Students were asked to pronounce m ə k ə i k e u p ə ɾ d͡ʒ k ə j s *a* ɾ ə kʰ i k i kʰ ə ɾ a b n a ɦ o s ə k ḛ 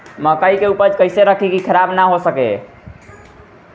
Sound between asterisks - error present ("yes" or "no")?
yes